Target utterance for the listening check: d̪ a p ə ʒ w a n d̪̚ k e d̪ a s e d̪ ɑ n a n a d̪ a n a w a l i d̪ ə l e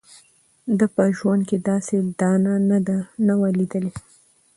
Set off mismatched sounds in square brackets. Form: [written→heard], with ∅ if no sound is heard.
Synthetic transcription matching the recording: d̪ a p ə ʒ w a n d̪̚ k e d̪ [a→ɑ] s e d̪ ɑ n a n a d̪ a n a w a l i d̪ ə l e